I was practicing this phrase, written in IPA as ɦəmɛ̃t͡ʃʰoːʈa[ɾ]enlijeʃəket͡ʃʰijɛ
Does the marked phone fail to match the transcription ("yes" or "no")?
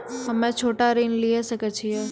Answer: no